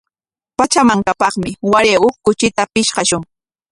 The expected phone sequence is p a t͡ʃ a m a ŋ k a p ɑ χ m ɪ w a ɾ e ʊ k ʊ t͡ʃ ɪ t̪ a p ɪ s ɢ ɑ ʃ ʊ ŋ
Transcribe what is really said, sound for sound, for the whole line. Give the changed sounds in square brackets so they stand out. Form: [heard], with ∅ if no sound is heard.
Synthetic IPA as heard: p a t͡ʃ a m a ŋ k a p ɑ χ m ɪ w a ɾ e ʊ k ʊ t͡ʃ ɪ t̪ a p ɪ [ʃ] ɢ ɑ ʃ ʊ ŋ